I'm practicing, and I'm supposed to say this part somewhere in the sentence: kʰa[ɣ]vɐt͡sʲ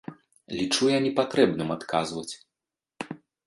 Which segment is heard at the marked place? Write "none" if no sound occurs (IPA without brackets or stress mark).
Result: z